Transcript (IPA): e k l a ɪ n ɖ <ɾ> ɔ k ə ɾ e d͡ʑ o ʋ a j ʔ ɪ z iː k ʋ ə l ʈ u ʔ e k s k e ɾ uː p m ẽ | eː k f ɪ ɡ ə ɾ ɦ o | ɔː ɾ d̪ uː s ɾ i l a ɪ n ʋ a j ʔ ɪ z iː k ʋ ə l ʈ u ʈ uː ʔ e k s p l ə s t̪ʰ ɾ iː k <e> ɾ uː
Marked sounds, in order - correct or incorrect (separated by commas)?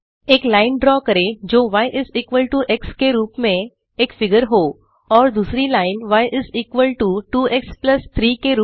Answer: correct, correct